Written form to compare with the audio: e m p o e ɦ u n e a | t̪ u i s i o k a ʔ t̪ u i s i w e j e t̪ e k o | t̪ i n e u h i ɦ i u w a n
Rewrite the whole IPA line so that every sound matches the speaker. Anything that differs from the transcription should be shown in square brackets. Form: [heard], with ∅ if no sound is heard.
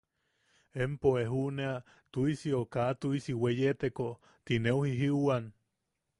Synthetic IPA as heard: e m p o e ɦ u n e a | t̪ u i s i o k a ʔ t̪ u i s i w e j e t̪ e k o | t̪ i n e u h i ɦ i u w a n